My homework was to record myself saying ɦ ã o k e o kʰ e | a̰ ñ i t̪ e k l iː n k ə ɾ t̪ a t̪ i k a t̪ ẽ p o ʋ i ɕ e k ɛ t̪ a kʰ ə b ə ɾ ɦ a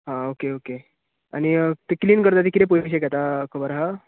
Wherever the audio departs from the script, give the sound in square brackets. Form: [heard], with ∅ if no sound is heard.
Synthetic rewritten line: ɦ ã o k e o [k] e | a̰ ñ i t̪ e k l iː n k ə ɾ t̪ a t̪ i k [i] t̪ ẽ p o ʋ i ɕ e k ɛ t̪ a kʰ ə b ə ɾ ɦ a